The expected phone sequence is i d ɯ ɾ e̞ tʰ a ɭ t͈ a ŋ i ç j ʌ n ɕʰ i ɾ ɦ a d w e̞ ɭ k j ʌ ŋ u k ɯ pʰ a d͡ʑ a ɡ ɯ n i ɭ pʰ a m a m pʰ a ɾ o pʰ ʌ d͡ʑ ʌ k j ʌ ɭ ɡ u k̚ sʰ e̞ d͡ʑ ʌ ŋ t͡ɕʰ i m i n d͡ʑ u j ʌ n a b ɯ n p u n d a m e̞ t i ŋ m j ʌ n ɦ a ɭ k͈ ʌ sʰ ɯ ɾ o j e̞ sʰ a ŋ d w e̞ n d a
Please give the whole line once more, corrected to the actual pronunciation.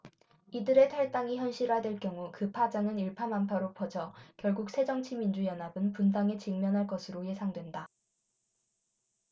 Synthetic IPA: i d ɯ ɾ e̞ tʰ a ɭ t͈ a ŋ i ç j ʌ n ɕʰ i ɾ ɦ a d w e̞ ɭ k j ʌ ŋ u k ɯ pʰ a d͡ʑ a ŋ ɯ n i ɭ pʰ a m a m pʰ a ɾ o pʰ ʌ d͡ʑ ʌ k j ʌ ɭ ɡ u k̚ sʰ e̞ d͡ʑ ʌ ŋ t͡ɕʰ i m i n d͡ʑ u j ʌ n a b ɯ n p u n d a ŋ e̞ t͡ɕ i ŋ m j ʌ n ɦ a ɭ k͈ ʌ sʰ ɯ ɾ o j e̞ sʰ a ŋ d w e̞ n d a